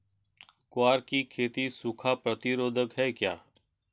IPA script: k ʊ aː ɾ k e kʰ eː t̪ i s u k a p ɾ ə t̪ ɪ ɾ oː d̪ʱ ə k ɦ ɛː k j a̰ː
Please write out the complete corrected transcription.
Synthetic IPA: k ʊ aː ɾ k i kʰ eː t̪ i s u kʰ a p ɾ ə t̪ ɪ ɾ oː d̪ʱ ə k ɦ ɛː k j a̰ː

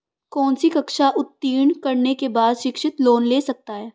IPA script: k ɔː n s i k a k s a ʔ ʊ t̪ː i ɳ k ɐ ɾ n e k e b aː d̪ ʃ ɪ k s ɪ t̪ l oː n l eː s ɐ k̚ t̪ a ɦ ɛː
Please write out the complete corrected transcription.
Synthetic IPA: k ɔː n s i k ɐ k ʃ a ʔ ʊ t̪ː iː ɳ k ɐ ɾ n e k e b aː d̪ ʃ ɪ k ʃ ɪ t̪ l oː n l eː s ɐ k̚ t̪ a ɦ ɛː

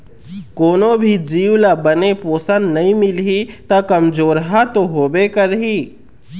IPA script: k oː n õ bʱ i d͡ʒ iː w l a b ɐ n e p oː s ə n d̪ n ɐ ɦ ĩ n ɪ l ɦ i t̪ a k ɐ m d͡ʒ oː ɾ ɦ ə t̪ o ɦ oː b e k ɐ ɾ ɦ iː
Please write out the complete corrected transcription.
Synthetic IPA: k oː n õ bʱ i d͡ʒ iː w l a b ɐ n e p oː s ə n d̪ n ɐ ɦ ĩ m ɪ l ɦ i t̪ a k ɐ m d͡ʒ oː ɾ ɦ a t̪ o ɦ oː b e k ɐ ɾ ɦ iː

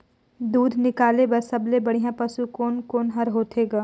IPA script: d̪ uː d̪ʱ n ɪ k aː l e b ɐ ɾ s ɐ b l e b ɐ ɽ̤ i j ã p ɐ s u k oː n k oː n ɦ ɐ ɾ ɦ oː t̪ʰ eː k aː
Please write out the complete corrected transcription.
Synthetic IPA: d̪ uː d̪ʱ n ɪ k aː l e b ɐ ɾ s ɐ b l e b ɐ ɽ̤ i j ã p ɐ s u k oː n k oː n ɦ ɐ ɾ ɦ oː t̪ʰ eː ɡ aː

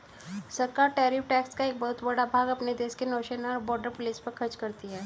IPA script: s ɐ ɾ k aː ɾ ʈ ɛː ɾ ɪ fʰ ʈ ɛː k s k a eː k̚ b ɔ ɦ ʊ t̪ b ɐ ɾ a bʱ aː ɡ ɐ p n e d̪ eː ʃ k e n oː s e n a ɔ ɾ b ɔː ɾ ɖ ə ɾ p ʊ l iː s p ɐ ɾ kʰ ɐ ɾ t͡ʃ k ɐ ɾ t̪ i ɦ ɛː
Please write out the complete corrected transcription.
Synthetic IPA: s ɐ ɾ k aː ɾ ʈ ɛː ɾ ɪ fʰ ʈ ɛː k s k a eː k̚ b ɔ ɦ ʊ t̪ b ɐ ɽ a bʱ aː ɡ ɐ p n e d̪ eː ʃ k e n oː ʃ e n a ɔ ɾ b ɔː ɾ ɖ ə ɾ p ʊ l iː s p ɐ ɾ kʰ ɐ ɾ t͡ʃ k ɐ ɾ t̪ i ɦ ɛː

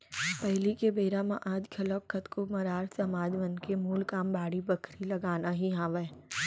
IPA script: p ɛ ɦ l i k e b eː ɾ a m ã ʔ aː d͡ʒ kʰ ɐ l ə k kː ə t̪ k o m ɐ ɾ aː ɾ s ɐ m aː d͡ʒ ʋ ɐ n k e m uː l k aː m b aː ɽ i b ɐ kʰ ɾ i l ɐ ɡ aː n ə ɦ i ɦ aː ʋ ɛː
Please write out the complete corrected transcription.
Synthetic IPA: p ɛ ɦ l i k e b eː ɾ a m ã ʔ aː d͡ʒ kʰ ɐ l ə k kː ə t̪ k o m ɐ ɾ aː ɾ s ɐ m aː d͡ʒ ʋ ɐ n k e m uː l k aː m b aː ɽ i b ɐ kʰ ɾ i l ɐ ɡ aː n a ɦ i ɦ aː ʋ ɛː

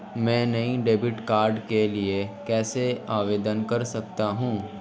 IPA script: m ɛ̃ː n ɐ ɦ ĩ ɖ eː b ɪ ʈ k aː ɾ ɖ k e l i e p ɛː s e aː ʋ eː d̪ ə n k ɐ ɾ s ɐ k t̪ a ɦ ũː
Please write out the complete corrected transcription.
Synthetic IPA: m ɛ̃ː n ɐ ɦ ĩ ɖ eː b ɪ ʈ k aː ɾ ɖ k e l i e k ɛː s e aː ʋ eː d̪ ə n k ɐ ɾ s ɐ k t̪ a ɦ ũː

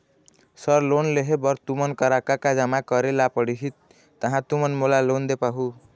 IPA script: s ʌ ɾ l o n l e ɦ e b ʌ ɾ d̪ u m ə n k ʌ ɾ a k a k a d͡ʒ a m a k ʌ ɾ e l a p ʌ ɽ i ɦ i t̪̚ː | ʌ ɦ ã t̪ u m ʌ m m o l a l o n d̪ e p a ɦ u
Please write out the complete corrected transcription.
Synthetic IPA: s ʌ ɾ l o n l e ɦ e b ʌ ɾ t̪ u m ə n k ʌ ɾ a k a k a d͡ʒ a m a k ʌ ɾ e l a p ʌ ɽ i ɦ i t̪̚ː | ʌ ɦ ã t̪ u m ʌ n m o l a l o n d̪ e p a ɦ u

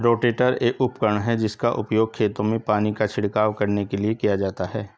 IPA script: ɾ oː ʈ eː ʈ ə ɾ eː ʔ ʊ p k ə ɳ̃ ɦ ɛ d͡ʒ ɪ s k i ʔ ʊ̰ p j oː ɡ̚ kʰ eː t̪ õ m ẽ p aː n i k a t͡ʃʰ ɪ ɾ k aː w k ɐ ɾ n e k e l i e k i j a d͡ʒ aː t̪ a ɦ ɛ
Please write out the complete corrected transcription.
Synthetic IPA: ɾ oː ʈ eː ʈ ə ɾ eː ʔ ʊ p k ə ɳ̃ ɦ ɛ d͡ʒ ɪ s k a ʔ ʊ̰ p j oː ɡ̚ kʰ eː t̪ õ m ẽ p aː n i k a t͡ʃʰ ɪ ɽ k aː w k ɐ ɾ n e k e l i e k i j a d͡ʒ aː t̪ a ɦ ɛː

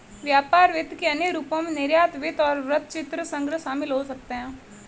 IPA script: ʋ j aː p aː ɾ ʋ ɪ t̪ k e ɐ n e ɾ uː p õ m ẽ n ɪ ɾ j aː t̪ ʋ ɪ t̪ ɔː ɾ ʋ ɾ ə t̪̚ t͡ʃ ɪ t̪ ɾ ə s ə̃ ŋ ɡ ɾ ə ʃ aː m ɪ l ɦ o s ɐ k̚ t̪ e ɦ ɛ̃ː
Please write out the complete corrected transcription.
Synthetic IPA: ʋ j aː p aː ɾ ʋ ɪ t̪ k e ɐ n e ɾ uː p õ m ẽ n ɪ ɾ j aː t̪ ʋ ɪ t̪ ɔː ɾ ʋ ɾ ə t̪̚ t͡ʃ ɪ t̪ ɾ ə s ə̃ ŋ ɡ ɾ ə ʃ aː m ɪ l ɦ o s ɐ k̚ t̪ e ɦ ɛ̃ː

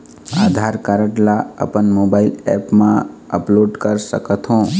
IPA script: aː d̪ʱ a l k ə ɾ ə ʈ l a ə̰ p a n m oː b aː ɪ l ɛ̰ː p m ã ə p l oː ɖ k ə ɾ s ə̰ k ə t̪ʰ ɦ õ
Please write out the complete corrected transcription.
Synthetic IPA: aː d̪ʱ a ɾ k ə ɾ ə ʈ l a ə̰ p ə n m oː b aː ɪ l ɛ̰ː p m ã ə p l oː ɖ k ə ɾ s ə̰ k ə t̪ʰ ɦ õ

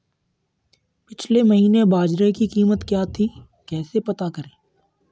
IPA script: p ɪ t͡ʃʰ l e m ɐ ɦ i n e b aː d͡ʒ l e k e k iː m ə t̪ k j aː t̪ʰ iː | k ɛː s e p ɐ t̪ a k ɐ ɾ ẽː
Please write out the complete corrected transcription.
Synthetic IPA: p ɪ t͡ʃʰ l e m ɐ ɦ iː n e b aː d͡ʒ ɾ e k i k iː m ə t̪ k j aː t̪ʰ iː | k ɛː s e p ɐ t̪ a k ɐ ɾ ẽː

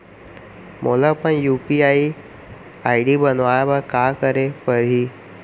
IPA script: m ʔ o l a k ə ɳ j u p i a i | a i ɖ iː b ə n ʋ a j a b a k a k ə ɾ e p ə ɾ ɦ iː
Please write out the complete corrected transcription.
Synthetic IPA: m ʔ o l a p ə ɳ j u p i a i | a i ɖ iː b ə n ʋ a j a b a k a k ə ɾ e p ə ɾ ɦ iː

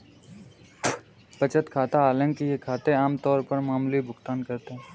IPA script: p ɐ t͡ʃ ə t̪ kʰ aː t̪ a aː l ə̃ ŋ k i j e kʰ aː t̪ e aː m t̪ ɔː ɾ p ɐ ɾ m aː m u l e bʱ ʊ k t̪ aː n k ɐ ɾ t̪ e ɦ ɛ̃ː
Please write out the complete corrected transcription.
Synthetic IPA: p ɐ t͡ʃ ə t̪ kʰ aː t̪ a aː l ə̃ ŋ k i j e kʰ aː t̪ e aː m t̪ ɔː ɾ p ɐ ɾ m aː m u l i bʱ ʊ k t̪ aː n k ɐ ɾ t̪ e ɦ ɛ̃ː

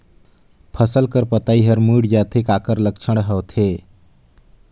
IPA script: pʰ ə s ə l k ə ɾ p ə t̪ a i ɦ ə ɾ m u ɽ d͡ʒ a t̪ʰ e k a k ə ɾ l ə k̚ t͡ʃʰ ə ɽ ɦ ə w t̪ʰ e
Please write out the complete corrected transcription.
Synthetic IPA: pʰ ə s ə l k ə ɾ p ə t̪ a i ɦ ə ɾ m u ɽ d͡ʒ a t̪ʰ e k a k ə ɾ l ə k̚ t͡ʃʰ ə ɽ ɦ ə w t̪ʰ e

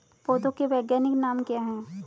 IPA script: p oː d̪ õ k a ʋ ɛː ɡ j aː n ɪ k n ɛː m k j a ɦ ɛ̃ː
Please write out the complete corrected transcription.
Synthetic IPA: p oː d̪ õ k e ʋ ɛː ɡ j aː n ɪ k n aː m k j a ɦ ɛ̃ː

